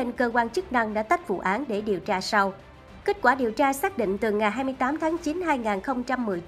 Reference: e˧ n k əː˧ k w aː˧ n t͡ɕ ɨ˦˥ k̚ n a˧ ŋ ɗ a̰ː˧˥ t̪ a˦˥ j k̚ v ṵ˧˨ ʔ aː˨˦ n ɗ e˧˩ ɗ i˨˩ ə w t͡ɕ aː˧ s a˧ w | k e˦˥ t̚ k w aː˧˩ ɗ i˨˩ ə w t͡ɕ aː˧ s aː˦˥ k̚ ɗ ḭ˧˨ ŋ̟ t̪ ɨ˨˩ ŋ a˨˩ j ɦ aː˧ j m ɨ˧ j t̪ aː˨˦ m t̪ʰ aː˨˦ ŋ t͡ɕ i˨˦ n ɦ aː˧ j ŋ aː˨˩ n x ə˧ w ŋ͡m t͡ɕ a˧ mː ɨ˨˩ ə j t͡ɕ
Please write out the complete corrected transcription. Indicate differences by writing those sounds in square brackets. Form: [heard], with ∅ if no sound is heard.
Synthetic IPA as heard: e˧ n k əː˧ k w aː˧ n t͡ɕ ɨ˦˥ k̚ n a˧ ŋ ɗ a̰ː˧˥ t̪ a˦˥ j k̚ v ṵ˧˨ ʔ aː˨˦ n ɗ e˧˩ ɗ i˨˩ ə w t͡ɕ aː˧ s a˧ w | k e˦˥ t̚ k w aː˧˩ ɗ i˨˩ ə w t͡ɕ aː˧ s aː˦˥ k̚ ɗ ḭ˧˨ ŋ̟ t̪ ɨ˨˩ ŋ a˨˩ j ɦ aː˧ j m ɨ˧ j t̪ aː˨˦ m t̪ʰ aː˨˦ ŋ t͡ɕ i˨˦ n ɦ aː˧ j ŋ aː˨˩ n x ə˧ w ŋ͡m t͡ɕ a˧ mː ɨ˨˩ ə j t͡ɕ